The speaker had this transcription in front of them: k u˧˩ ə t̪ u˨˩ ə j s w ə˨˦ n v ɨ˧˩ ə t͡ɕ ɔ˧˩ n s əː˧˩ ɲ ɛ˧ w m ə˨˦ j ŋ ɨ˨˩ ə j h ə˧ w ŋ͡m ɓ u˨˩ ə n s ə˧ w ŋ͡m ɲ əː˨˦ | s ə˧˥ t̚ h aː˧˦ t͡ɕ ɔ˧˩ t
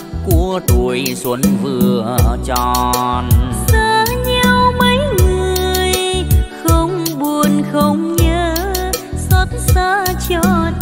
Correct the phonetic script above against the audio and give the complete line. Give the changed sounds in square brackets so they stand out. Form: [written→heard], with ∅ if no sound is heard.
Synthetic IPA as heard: k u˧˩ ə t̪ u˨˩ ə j s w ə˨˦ n v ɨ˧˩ ə t͡ɕ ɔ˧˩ n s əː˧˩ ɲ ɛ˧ w m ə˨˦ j ŋ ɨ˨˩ ə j [h→x] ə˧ w ŋ͡m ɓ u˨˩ ə n [s→x] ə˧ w ŋ͡m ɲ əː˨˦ | s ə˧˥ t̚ [h→s] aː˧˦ t͡ɕ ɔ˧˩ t

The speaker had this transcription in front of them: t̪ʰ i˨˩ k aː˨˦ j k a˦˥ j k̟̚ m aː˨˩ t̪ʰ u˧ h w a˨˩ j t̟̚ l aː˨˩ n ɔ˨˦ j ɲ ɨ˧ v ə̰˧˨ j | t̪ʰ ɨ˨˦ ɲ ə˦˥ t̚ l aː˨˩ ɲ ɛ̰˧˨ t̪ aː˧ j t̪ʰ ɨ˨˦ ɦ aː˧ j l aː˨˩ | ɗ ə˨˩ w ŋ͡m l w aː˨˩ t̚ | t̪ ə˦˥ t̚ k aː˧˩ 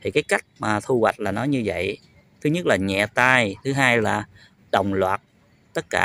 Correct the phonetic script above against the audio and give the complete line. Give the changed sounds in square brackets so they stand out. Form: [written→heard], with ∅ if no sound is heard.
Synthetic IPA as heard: t̪ʰ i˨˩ k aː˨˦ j k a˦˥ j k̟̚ m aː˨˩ t̪ʰ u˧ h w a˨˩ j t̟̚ l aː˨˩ n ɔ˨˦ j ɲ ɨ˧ v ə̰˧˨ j | t̪ʰ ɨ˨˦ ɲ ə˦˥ t̚ l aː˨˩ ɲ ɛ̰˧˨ t̪ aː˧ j t̪ʰ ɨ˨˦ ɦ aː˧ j l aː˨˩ | ɗ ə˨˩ w ŋ͡m l w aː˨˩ t̚ | t̪ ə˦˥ t̚ k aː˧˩

